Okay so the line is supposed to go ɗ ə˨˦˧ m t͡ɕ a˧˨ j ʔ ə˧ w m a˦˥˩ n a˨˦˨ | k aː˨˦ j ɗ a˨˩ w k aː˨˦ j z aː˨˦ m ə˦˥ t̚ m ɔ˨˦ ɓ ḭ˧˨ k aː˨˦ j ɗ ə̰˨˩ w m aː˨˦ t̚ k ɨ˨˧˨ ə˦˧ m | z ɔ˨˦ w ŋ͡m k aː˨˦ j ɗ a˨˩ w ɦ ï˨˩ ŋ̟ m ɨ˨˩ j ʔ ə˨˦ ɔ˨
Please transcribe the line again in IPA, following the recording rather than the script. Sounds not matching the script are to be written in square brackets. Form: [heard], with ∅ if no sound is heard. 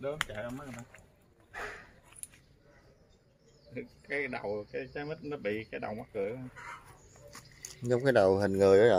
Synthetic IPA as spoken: ɗ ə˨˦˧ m t͡ɕ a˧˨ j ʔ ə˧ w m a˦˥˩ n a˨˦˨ | k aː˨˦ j ɗ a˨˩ w k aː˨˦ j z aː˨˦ m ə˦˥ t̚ [n] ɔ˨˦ ɓ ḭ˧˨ k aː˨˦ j ɗ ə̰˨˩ w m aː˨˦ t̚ k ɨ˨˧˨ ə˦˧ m | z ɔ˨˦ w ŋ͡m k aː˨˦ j ɗ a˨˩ w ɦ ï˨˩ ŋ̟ [ŋ] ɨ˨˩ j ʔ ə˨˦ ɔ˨